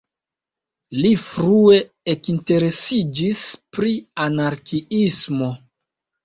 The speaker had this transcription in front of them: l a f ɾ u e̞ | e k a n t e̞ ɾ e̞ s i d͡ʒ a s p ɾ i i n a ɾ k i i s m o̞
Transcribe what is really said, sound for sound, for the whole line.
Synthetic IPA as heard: l i f ɾ u e̞ | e k i n t e̞ ɾ e̞ s i d͡ʒ i s p ɾ i a n a ɾ k i i s m o̞